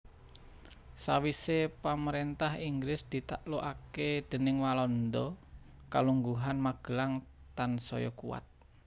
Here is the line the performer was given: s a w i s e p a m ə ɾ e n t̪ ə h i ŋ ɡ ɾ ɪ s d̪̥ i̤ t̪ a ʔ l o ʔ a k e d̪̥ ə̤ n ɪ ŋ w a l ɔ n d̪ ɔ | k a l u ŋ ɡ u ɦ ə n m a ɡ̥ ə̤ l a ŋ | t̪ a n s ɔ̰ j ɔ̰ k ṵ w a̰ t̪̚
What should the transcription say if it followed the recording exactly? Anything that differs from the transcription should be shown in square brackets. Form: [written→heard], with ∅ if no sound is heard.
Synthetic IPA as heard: s a w i s e p a m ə ɾ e n t̪ [ə→a] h i ŋ ɡ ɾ ɪ s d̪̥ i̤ t̪ a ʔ l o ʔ a k e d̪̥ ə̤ n ɪ ŋ w a l ɔ n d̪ ɔ | k a l u ŋ ɡ u ɦ [ə→a] n m a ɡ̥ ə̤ l a ŋ | t̪ a n s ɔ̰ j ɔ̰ k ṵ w a̰ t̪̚